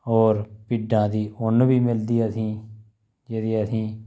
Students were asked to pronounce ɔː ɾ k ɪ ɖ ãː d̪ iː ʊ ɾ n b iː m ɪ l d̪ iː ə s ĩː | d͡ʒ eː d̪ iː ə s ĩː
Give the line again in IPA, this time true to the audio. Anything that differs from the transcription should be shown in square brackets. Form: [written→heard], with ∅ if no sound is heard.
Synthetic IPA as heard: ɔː ɾ [k→p] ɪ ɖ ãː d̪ iː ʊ [ɾ→∅] n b iː m ɪ l d̪ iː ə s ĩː | d͡ʒ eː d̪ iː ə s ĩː